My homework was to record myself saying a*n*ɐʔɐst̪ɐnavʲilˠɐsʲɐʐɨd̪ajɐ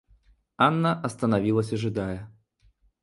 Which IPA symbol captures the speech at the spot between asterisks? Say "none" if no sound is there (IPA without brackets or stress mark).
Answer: nː